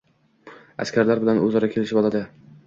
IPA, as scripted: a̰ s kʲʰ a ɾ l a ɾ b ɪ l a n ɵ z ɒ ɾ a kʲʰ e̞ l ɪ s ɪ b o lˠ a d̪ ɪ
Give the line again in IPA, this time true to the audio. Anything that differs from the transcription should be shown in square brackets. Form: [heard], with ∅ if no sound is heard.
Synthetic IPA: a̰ s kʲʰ a ɾ l a ɾ b ɪ l a n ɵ z ɒ ɾ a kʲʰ e̞ l ɪ [ʃ] ɪ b [ɒ] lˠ a d̪ ɪ